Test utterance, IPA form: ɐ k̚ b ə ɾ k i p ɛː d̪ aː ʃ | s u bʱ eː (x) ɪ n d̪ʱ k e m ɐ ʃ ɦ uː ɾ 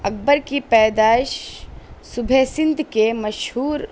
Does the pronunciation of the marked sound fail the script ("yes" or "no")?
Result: yes